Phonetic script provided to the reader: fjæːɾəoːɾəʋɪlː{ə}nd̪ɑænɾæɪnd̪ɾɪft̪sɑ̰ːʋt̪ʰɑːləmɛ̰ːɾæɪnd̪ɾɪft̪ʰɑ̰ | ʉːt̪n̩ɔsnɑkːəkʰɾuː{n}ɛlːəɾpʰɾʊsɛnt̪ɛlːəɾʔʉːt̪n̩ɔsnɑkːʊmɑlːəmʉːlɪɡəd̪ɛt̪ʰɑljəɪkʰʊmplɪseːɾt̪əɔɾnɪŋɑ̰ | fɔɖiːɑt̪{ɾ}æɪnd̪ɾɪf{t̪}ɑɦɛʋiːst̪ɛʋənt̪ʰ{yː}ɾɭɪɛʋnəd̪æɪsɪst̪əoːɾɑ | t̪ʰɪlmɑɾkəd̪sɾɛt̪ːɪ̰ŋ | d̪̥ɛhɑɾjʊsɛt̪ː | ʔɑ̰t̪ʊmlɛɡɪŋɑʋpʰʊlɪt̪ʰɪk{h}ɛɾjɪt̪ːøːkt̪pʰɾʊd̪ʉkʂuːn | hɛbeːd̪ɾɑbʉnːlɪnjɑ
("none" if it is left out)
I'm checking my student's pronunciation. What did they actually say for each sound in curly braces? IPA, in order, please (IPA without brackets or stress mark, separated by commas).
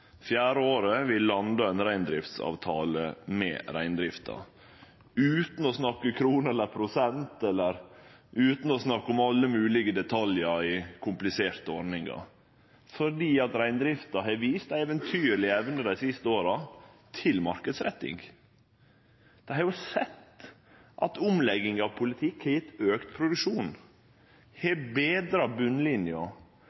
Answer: ɑ, n, ɾ, t̪, yː, h